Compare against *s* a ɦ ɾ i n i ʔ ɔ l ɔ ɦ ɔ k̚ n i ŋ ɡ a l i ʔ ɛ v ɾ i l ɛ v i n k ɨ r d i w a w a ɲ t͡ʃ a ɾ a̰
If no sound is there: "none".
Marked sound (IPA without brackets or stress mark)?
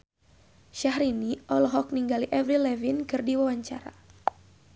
ʃ